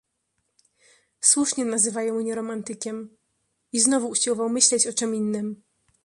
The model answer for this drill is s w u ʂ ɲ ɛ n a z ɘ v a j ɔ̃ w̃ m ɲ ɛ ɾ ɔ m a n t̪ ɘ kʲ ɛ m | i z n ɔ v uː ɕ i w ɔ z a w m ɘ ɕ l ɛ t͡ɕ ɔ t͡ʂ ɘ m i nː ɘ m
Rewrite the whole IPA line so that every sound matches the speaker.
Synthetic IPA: s w u ʂ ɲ ɛ n a z ɘ v a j ɔ̃ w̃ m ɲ ɛ ɾ ɔ m a n t̪ ɘ kʲ ɛ m | i z n ɔ v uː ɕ i w ɔ v a w m ɘ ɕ l ɛ t͡ɕ ɔ t͡ʂ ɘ m i nː ɘ m

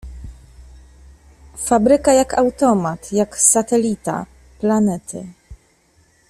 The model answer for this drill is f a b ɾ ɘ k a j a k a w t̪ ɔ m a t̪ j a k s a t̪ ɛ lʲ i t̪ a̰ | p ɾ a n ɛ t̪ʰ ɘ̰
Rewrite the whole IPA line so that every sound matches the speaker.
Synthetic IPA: f a b ɾ ɘ k a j a k a w t̪ ɔ m a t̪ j a k s a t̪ ɛ lʲ i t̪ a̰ | p l a n ɛ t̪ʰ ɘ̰

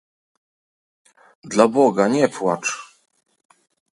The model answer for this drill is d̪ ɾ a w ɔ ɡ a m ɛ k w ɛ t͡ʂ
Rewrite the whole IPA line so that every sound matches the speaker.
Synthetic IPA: d̪ l a b ɔ ɡ a ɲ ɛ p w a t͡ʂ

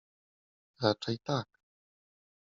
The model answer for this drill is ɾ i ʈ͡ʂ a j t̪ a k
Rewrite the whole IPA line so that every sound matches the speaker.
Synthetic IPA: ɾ a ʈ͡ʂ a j t̪ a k

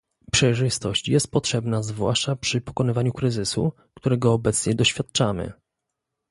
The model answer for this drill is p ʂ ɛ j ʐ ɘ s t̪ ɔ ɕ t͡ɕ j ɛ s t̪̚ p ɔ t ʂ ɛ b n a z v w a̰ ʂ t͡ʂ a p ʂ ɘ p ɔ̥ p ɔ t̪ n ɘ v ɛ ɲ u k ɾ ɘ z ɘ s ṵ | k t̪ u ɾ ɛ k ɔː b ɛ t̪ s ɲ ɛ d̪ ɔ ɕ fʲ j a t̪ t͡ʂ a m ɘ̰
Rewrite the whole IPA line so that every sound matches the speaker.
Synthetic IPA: p ʂ ɛ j ʐ ɘ s t̪ ɔ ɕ t͡ɕ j ɛ s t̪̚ p ɔ t ʂ ɛ b n a z v w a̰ ʂ t͡ʂ a p ʂ ɘ p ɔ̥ k ɔ n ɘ v a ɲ u k ɾ ɘ z ɘ s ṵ | k t̪ u ɾ ɛ ɡ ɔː b ɛ t̪ s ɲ ɛ d̪ ɔ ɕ fʲ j a t̪ t͡ʂ a m ɘ̰

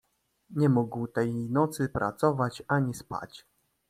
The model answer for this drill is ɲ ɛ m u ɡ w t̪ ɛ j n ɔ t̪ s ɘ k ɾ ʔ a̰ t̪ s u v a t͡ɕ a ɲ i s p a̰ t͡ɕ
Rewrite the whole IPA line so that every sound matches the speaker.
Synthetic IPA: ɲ ɛ m u ɡ w t̪ ɛ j n ɔ t̪ s ɘ p ɾ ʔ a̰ t̪ s ɔ v a t͡ɕ a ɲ i s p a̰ t͡ɕ

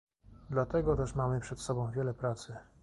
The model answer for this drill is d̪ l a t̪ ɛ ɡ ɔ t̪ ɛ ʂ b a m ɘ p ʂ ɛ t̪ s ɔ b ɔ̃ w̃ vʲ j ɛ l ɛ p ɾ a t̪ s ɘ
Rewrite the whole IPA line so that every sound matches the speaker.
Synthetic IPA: d̪ l a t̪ ɛ ɡ ɔ t̪ ɛ ʂ m a m ɘ p ʂ ɛ t̪ s ɔ b ɔ̃ w̃ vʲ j ɛ l ɛ p ɾ a t̪ s ɘ

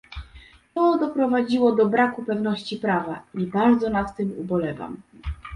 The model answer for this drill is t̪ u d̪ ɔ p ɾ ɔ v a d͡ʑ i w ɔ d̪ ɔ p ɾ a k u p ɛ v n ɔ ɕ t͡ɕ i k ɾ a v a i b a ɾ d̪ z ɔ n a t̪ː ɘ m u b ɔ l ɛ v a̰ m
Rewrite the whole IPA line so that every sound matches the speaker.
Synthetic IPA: t̪ ɔ d̪ ɔ p ɾ ɔ v a d͡ʑ i w ɔ d̪ ɔ b ɾ a k u p ɛ v n ɔ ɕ t͡ɕ i p ɾ a v a i b a ɾ d̪ z ɔ n a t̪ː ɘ m u b ɔ l ɛ v a̰ m

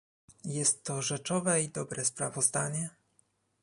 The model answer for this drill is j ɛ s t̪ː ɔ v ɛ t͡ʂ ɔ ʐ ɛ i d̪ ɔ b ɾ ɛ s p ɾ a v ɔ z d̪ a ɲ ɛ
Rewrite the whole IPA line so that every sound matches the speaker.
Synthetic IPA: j ɛ s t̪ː ɔ ʐ ɛ t͡ʂ ɔ v ɛ i d̪ ɔ b ɾ ɛ s p ɾ a v ɔ z d̪ a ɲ ɛ

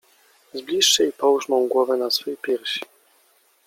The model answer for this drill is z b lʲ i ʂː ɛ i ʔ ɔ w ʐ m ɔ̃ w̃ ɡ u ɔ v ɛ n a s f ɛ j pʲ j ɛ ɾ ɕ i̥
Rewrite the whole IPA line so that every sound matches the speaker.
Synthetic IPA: z b lʲ i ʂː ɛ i p ɔ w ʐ m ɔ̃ w̃ ɡ w ɔ v ɛ n a s f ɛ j pʲ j ɛ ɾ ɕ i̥

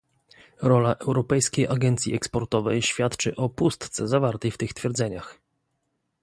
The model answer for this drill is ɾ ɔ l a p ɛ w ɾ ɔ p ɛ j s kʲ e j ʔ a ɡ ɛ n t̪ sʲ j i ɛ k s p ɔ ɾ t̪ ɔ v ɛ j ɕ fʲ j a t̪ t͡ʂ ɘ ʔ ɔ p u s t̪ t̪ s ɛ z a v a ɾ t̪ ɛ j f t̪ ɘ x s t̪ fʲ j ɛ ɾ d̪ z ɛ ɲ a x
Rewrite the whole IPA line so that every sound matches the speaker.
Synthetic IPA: ɾ ɔ l a ʔ ɛ w ɾ ɔ p ɛ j s kʲ e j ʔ a ɡ ɛ n t̪ sʲ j i ɛ k s p ɔ ɾ t̪ ɔ v ɛ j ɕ fʲ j a t̪ t͡ʂ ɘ ʔ ɔ p u s t̪ t̪ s ɛ z a v a ɾ t̪ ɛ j f t̪ ɘ x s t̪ fʲ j ɛ ɾ d̪ z ɛ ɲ a x

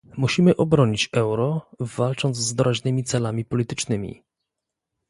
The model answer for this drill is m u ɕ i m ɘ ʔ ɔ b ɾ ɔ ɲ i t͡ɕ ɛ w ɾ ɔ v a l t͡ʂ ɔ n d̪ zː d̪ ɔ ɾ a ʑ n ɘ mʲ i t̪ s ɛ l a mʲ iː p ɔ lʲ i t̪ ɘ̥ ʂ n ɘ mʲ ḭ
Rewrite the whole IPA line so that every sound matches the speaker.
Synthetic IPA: m u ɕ i m ɘ ʔ ɔ b ɾ ɔ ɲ i t͡ɕ ɛ w ɾ ɔ v a l t͡ʂ ɔ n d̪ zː d̪ ɔ ɾ a ʑ n ɘ mʲ i t̪ s ɛ l a mʲ i p ɔ lʲ i t̪ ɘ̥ t͡ʂ n ɘ mʲ ḭ

